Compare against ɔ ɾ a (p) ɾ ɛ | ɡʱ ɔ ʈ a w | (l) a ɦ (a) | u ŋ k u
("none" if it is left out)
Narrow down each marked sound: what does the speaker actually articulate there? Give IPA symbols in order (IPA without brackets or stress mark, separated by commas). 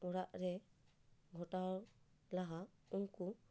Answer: ʔ, l, a